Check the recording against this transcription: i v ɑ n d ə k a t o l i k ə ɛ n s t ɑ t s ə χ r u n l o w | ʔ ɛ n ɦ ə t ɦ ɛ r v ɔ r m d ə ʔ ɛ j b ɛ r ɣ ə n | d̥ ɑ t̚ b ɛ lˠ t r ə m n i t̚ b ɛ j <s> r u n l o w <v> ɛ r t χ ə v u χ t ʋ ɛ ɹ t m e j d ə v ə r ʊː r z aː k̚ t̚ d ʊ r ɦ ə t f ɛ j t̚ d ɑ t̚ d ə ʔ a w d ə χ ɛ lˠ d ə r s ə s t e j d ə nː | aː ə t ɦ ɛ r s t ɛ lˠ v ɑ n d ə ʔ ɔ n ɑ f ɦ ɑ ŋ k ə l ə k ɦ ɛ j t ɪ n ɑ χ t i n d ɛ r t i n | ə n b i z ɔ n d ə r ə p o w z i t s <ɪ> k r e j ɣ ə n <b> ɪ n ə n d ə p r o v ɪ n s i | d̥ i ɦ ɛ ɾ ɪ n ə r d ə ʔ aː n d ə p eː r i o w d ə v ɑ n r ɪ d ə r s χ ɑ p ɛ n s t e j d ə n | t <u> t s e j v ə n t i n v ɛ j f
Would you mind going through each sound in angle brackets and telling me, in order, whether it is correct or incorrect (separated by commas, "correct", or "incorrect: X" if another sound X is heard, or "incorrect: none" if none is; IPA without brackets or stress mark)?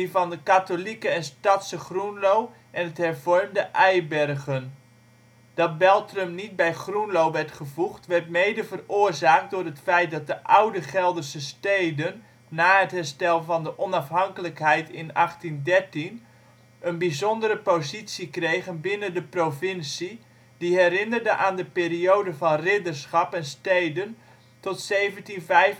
incorrect: χ, incorrect: ʋ, incorrect: i, correct, incorrect: ɔ